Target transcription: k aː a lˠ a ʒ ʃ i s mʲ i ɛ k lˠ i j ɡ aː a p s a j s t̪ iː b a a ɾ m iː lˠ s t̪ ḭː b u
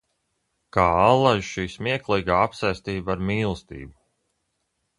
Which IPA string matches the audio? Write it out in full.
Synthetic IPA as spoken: k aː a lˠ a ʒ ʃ iː s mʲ i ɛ k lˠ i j ɡ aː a p s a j s t̪ iː b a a ɾ m iː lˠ s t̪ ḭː b u